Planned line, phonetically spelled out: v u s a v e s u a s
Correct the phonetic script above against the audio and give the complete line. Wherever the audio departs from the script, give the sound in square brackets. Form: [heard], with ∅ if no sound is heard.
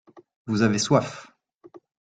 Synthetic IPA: v u [z] a v e s [w] a [f]